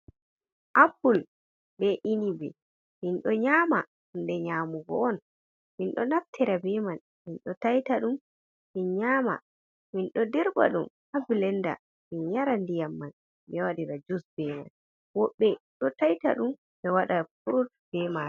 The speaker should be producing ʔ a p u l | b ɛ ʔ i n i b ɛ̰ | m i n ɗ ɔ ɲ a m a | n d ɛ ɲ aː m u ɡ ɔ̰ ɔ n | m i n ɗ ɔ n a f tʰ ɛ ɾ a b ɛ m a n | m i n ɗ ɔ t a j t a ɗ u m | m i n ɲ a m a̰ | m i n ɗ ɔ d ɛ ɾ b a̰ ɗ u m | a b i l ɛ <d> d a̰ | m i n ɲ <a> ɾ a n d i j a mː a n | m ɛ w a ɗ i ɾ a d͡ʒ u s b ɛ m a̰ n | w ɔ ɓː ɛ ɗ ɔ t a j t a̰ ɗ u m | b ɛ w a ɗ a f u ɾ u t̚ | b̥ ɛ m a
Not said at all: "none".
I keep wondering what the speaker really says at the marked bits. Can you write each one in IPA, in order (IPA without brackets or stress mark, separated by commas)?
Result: n, a